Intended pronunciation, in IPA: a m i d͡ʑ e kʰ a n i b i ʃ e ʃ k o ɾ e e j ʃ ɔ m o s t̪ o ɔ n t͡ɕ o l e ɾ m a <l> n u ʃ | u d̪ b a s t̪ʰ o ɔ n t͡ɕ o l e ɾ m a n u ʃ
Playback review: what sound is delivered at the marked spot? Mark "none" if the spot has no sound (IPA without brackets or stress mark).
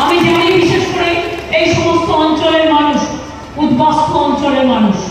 none